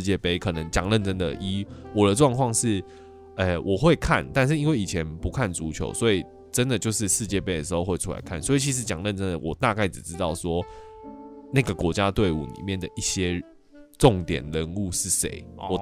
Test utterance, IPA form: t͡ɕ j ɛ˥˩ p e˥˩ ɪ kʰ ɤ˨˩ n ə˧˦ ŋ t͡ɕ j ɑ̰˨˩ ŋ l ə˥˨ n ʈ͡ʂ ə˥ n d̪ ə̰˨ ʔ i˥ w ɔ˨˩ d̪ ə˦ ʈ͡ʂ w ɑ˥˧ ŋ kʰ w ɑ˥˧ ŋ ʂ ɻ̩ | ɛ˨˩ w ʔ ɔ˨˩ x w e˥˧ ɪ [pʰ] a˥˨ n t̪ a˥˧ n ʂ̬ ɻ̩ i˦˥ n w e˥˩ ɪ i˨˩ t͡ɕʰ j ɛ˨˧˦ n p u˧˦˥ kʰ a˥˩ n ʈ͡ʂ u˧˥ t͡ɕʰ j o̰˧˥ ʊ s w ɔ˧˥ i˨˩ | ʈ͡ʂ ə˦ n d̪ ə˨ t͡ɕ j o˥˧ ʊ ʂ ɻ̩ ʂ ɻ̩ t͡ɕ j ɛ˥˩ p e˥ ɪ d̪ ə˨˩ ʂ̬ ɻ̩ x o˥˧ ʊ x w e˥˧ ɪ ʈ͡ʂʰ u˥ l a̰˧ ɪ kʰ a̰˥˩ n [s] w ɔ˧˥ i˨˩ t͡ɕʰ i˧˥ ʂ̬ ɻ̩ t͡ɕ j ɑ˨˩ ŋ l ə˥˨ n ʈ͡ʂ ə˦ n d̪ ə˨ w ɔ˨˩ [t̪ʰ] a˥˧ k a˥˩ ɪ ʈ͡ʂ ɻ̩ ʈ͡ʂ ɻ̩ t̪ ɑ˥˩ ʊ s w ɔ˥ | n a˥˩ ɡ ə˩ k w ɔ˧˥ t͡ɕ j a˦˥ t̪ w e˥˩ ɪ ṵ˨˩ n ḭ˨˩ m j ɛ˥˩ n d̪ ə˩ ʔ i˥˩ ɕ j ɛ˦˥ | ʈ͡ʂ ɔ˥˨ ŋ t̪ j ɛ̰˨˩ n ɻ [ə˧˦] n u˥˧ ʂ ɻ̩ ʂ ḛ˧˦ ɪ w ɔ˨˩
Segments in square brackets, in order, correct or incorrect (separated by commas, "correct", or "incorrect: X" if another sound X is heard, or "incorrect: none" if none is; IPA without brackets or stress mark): incorrect: kʰ, correct, incorrect: t̪, correct